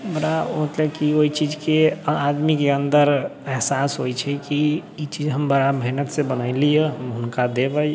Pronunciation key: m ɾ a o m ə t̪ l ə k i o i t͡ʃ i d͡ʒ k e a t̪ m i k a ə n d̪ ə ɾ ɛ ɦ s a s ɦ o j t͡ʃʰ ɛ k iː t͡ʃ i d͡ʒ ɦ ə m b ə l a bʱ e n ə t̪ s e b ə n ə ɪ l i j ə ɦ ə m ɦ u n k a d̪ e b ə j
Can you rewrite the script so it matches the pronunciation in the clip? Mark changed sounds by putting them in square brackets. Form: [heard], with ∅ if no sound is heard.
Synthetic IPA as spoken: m ɾ a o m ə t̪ l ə k i o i t͡ʃ i d͡ʒ k e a [d̪] m i k [e] ə n d̪ ə ɾ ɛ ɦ s a s ɦ o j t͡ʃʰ ɛ k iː t͡ʃ i d͡ʒ ɦ ə m b ə [ɾ] a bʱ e n ə t̪ s e b ə n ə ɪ l i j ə ɦ ə m ɦ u n k a d̪ e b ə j